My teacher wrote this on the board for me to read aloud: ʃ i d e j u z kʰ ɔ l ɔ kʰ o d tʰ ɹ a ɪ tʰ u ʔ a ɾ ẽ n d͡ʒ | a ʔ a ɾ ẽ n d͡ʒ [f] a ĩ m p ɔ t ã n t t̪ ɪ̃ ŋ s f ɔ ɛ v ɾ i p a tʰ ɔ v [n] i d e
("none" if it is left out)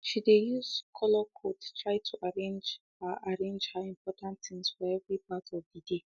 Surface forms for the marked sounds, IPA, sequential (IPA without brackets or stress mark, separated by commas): h, d